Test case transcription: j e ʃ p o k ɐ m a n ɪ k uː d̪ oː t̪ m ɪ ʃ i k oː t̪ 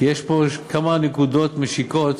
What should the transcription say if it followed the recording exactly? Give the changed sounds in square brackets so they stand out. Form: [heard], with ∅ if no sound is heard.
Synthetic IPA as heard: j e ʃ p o k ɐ m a n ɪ k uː d̪ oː t̪ m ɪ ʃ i k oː t̪